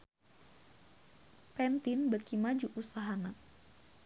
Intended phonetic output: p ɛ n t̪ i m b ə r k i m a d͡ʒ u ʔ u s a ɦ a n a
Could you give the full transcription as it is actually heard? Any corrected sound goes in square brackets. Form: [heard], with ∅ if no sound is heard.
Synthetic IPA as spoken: p ɛ n t̪ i [n] b ə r k i m a d͡ʒ u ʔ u s a ɦ a n a